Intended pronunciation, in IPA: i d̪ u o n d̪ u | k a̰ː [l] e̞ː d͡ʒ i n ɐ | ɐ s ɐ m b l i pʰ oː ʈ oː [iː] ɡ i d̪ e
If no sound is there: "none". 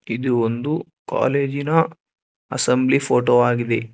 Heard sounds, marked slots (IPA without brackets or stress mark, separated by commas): l, aː